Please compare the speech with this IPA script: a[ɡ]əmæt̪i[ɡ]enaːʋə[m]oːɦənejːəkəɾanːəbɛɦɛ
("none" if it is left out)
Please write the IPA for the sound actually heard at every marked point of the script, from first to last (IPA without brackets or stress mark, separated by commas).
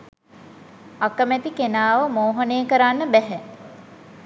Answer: k, k, m